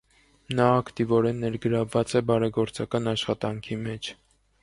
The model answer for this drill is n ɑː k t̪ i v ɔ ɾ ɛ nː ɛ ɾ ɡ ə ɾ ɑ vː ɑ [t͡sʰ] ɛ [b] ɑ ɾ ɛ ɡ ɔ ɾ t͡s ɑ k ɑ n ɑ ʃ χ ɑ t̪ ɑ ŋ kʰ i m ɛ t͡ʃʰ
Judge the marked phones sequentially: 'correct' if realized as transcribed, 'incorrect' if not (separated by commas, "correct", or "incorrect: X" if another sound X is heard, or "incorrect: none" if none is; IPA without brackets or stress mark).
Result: incorrect: t͡s, correct